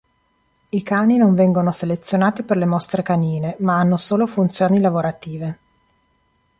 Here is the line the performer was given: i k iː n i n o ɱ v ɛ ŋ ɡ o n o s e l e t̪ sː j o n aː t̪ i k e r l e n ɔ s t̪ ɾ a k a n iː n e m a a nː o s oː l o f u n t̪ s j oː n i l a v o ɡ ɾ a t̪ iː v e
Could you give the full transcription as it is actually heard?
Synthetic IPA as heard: i k aː n i n o ɱ v ɛ ŋ ɡ o n o s e l e t̪ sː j o n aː t̪ i p e r l e m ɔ s t̪ ɾ e k a n iː n e m a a nː o s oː l o f u n t̪ s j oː n i l a v o ɾ a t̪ iː v e